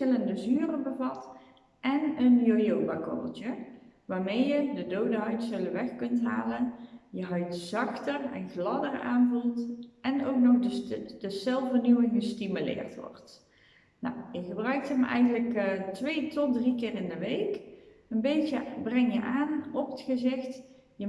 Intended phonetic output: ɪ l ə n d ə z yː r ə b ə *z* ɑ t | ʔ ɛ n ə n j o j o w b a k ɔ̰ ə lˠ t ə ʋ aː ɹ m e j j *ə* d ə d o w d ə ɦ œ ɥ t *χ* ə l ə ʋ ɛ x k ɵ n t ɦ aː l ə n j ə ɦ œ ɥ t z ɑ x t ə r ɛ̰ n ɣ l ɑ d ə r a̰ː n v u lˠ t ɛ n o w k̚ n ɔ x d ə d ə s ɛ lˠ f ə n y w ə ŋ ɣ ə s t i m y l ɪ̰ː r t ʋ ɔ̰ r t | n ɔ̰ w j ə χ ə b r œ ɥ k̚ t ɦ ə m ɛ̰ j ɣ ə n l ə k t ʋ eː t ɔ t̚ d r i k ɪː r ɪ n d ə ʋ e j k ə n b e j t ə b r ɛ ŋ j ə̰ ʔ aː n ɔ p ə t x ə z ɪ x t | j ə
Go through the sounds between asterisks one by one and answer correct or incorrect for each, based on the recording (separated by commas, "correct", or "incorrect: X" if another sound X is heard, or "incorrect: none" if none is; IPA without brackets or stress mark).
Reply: incorrect: v, correct, incorrect: s